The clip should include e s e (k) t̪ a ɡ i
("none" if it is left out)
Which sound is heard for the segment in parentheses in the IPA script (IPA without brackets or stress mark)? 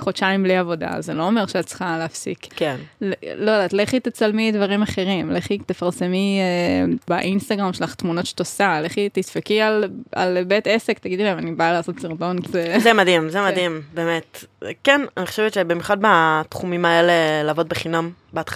k